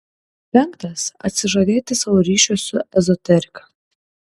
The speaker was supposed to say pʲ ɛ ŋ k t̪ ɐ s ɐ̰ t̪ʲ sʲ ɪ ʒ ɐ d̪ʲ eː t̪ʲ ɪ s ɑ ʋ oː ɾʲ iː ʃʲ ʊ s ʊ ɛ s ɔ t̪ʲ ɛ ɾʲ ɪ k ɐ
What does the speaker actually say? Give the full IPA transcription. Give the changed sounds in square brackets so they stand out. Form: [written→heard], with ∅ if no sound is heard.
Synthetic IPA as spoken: pʲ ɛ ŋ k t̪ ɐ s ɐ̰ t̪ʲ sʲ ɪ ʒ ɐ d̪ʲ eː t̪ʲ ɪ s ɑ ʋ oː ɾʲ iː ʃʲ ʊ s ʊ ɛ [s→z] ɔ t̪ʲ ɛ ɾʲ ɪ k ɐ

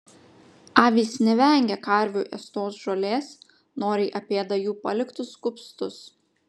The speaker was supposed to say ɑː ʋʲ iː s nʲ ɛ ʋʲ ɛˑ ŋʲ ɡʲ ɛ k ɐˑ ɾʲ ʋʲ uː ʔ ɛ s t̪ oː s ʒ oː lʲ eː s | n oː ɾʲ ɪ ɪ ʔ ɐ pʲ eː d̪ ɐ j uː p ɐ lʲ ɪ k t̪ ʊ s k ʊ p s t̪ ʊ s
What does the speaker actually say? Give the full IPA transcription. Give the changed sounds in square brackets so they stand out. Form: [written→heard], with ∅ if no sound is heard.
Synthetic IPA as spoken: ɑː ʋʲ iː s nʲ ɛ ʋʲ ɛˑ ŋʲ ɡʲ ɛ k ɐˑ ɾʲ ʋʲ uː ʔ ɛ s t̪ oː s ʒ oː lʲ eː s | n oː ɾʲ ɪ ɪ ʔ ɐ pʲ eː d̪ ɐ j uː p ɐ lʲ ɪ k t̪ ʊ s k ʊ p s t̪ ʊ s

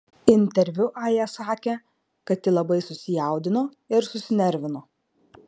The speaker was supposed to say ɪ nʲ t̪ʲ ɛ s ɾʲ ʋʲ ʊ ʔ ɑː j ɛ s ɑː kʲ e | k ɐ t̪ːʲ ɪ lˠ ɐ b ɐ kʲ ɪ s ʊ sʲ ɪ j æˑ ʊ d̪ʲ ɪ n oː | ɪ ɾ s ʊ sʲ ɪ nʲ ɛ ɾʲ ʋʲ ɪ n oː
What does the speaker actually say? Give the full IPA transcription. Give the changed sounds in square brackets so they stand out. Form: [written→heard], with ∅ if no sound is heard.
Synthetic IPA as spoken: ɪ nʲ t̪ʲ ɛ [s→∅] ɾʲ ʋʲ ʊ ʔ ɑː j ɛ s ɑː kʲ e | k ɐ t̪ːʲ ɪ lˠ ɐ b ɐ [kʲ→∅] ɪ s ʊ sʲ ɪ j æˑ ʊ d̪ʲ ɪ n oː | ɪ ɾ s ʊ sʲ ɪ nʲ ɛ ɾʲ ʋʲ ɪ n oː

